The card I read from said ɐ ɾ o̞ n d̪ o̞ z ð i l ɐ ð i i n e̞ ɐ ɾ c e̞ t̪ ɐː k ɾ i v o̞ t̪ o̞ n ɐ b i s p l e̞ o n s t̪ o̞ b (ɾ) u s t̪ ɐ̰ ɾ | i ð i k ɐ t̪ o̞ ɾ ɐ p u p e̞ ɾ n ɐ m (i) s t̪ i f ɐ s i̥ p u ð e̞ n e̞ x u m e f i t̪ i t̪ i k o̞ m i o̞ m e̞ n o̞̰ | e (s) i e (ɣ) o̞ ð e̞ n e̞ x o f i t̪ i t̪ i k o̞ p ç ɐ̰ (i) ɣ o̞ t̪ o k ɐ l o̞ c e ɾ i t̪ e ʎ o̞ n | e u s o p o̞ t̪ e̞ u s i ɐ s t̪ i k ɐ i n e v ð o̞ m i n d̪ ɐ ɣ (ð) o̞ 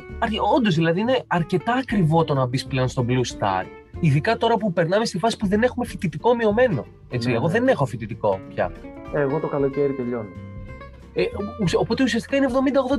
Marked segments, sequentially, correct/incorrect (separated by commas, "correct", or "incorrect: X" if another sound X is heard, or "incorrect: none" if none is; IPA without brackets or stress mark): incorrect: l, incorrect: e, incorrect: t͡s, correct, incorrect: e, correct